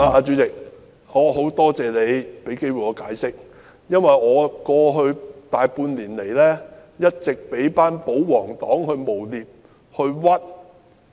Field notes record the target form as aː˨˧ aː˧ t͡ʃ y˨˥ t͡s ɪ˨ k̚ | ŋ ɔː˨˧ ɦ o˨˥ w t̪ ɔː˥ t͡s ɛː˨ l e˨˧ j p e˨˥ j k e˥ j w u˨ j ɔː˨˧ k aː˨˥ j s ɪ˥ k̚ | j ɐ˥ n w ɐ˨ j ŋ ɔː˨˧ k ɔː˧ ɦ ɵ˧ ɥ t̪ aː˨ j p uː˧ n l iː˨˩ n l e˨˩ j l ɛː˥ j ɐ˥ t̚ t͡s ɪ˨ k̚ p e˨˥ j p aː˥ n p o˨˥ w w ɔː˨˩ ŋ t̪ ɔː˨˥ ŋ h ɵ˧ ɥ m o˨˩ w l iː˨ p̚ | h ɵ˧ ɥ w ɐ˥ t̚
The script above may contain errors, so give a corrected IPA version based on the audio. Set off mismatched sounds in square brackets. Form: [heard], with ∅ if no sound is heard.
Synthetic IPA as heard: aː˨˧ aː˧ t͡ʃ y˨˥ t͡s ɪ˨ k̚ | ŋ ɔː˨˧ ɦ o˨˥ w t̪ ɔː˥ t͡s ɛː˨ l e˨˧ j p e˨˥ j k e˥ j w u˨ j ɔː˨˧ k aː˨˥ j s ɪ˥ k̚ | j ɐ˥ n w ɐ˨ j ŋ ɔː˨˧ k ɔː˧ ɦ ɵ˧ ɥ t̪ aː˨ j p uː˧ n l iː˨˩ n l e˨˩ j l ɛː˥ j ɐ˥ t̚ t͡s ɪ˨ k̚ p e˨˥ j p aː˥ n p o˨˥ w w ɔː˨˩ ŋ t̪ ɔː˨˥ ŋ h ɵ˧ ɥ m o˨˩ w l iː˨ p̚ | h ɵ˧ ɥ w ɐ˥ t̚